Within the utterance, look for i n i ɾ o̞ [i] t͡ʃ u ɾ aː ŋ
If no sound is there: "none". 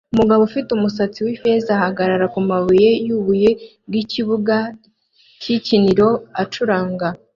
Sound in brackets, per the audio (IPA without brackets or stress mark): a